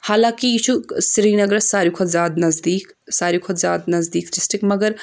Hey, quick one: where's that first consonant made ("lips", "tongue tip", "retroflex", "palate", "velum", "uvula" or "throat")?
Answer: throat